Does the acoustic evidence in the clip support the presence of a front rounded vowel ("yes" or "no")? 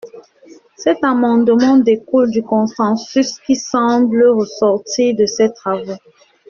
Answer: yes